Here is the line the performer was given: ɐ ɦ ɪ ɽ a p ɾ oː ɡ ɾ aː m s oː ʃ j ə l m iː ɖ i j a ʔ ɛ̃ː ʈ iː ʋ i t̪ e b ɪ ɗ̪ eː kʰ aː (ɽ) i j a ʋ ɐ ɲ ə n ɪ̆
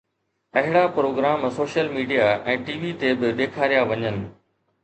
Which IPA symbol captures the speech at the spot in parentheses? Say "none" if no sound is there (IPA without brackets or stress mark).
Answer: ɾ